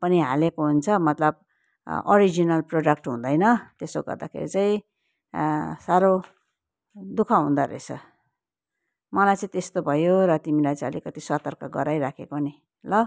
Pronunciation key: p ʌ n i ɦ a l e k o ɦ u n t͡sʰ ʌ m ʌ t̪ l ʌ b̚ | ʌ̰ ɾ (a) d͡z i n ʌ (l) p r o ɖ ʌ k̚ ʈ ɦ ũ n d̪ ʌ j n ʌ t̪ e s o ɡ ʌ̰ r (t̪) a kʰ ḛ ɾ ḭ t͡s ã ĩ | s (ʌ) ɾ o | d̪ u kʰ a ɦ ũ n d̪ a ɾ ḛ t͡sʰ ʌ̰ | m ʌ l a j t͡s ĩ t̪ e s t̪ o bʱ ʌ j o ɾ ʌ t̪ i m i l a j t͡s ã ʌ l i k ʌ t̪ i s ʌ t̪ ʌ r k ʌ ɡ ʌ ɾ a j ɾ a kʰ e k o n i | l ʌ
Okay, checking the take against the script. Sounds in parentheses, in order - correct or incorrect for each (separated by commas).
incorrect, correct, incorrect, incorrect